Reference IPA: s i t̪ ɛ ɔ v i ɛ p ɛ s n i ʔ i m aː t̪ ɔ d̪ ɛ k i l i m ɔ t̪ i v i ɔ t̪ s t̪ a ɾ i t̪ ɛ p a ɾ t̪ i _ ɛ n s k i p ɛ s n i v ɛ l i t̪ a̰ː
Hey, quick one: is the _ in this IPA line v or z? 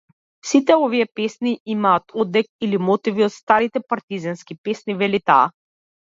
z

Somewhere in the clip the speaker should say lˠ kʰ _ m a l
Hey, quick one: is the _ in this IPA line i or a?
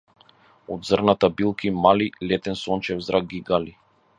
i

